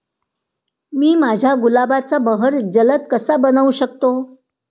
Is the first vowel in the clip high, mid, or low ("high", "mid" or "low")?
high